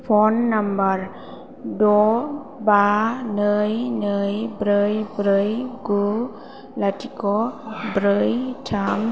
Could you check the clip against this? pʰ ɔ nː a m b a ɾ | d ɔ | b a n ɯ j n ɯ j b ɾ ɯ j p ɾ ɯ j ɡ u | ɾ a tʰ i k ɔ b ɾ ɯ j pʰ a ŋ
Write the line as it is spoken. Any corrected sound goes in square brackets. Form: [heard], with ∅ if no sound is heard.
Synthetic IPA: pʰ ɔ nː a m b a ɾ | d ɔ | b a n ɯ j n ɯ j b ɾ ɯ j [b] ɾ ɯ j ɡ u | [l] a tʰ i k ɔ b ɾ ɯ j [tʰ] a [m]